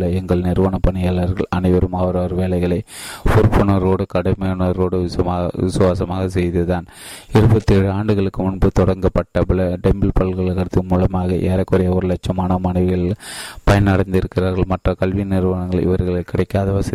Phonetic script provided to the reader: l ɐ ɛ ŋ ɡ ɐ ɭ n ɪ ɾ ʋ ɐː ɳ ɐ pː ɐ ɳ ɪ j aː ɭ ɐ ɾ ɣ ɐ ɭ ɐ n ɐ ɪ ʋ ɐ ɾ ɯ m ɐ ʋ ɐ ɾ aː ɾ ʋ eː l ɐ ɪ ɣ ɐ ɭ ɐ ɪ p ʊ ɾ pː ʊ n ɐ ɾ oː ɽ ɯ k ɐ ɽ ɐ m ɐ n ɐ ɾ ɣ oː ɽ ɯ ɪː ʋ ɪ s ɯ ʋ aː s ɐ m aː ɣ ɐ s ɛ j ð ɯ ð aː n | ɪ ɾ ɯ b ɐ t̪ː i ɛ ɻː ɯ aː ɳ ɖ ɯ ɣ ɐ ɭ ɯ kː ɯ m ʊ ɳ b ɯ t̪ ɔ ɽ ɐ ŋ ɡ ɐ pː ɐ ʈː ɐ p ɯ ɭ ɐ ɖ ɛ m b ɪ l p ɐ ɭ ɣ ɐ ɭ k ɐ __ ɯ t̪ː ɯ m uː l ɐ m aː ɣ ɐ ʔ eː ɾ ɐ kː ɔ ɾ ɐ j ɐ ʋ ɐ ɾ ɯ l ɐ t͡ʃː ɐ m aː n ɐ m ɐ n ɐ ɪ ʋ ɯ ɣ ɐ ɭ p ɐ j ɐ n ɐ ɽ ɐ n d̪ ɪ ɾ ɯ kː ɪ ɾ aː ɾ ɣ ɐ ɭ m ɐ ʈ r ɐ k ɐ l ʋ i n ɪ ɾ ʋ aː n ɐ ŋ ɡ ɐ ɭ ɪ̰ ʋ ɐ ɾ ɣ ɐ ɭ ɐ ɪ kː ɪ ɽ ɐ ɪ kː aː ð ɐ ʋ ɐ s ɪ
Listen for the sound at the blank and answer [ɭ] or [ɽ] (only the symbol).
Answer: ɽ